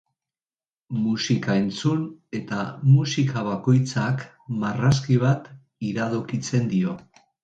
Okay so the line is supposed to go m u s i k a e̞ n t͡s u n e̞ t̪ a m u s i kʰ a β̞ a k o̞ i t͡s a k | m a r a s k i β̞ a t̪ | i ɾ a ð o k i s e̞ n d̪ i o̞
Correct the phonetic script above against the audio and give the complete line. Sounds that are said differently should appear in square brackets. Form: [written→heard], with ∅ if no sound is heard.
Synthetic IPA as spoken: m u s i k a e̞ n t͡s u n e̞ t̪ a m u s i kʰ a β̞ a k o̞ [i→j] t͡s a k | m a r a s k i β̞ a t̪ | i ɾ a ð o k i [s→t͡s] e̞ n d̪ i o̞

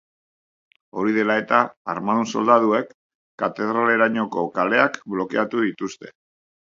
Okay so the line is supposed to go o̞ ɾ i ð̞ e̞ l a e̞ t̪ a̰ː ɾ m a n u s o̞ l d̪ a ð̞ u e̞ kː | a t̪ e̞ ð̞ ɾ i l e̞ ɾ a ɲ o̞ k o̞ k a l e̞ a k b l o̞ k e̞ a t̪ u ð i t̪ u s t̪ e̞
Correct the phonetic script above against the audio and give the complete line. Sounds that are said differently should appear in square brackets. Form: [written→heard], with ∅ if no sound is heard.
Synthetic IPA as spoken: o̞ ɾ i ð̞ e̞ l a e̞ t̪ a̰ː ɾ m a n u s o̞ l d̪ a ð̞ u e̞ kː | a t̪ e̞ ð̞ ɾ [i→a] l e̞ ɾ a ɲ o̞ k o̞ k a l e̞ a k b l o̞ k e̞ a t̪ u ð i t̪ u s t̪ e̞

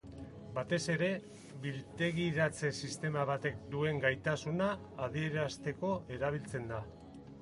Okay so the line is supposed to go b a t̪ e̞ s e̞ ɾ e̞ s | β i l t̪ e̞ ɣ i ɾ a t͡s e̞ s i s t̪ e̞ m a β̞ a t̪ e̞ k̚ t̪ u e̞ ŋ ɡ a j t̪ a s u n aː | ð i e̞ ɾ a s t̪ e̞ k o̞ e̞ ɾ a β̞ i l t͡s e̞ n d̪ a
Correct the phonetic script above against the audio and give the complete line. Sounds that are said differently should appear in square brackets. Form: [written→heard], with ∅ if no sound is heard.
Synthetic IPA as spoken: b a t̪ e̞ s e̞ ɾ e̞ [s→∅] | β i l t̪ e̞ ɣ i ɾ a t͡s e̞ s i s t̪ e̞ m a β̞ a t̪ e̞ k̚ [t̪→d̪] u e̞ ŋ ɡ a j t̪ a s u n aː | ð i e̞ ɾ a s t̪ e̞ k o̞ e̞ ɾ a β̞ i l t͡s e̞ n d̪ a

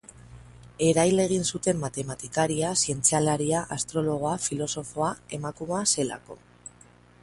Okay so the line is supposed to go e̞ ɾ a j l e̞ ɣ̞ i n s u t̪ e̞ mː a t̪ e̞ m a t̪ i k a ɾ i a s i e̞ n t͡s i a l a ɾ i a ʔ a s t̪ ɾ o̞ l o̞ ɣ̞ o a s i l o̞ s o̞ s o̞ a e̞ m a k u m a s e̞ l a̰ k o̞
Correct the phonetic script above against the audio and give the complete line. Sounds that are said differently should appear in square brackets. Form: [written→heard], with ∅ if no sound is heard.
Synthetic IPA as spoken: e̞ ɾ a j l e̞ ɣ̞ i n s u t̪ e̞ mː a t̪ e̞ m a t̪ i k a ɾ i a s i e̞ n t͡s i a l a ɾ i a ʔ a s t̪ ɾ o̞ l o̞ ɣ̞ o a [s→f] i l o̞ s o̞ [s→f] o̞ a e̞ m a k u m a s e̞ l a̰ k o̞

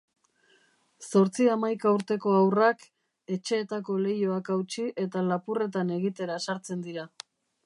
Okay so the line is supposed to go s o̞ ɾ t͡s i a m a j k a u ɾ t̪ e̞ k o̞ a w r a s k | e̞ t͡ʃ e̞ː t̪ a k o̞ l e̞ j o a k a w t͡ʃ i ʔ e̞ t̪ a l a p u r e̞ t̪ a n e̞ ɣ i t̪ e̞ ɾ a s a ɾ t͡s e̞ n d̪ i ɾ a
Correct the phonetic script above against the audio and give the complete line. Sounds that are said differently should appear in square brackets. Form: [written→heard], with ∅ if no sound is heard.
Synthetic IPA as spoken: s o̞ ɾ t͡s i a m a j k a u ɾ t̪ e̞ k o̞ a w r a [s→∅] k | e̞ t͡ʃ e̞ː t̪ a k o̞ l e̞ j o a k a w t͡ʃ i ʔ e̞ t̪ a l a p u r e̞ t̪ a n e̞ ɣ i t̪ e̞ ɾ a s a ɾ t͡s e̞ n d̪ i ɾ a

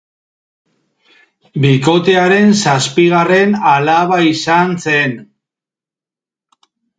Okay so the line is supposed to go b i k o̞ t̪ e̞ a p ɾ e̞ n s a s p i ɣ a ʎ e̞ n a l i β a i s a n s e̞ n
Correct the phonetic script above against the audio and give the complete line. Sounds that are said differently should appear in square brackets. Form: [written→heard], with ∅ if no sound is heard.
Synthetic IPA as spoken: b i k o̞ t̪ e̞ a [p→∅] ɾ e̞ n s a s p i ɣ a [ʎ→r] e̞ n a l [i→a] β a i s a n s e̞ n

